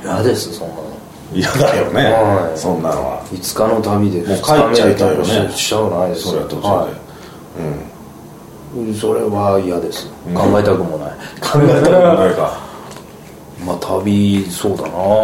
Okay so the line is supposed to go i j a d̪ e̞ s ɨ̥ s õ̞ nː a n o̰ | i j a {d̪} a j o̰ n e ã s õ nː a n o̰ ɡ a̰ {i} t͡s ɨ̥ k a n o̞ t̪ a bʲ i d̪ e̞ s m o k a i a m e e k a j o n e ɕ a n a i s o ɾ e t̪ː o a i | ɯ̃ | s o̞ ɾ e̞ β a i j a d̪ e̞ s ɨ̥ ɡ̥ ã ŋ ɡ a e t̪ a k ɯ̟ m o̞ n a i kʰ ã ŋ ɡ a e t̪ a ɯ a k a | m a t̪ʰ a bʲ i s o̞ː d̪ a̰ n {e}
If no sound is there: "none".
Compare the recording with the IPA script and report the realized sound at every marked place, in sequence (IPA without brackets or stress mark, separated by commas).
d̪, i, a